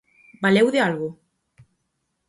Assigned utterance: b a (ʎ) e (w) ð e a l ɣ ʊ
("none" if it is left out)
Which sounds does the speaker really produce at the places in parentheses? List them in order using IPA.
l, w

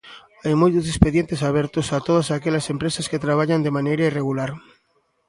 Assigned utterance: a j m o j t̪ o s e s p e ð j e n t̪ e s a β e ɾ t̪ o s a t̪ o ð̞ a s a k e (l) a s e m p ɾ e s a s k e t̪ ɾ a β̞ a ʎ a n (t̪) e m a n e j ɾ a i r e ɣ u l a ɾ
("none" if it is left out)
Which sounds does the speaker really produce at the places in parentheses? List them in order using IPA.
ʎ, d̪

